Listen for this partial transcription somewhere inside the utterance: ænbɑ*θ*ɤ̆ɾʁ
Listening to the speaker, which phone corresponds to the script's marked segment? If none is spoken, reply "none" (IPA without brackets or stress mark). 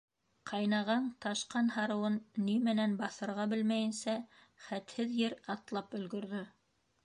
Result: θ